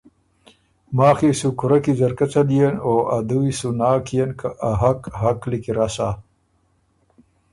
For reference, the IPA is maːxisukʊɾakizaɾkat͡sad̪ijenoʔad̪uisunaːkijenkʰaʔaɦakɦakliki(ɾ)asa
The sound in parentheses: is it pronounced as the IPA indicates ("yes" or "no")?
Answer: yes